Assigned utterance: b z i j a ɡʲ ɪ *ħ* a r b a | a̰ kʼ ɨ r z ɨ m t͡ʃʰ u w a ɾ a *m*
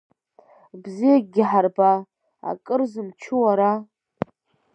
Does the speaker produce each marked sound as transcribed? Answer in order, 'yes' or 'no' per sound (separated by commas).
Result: yes, no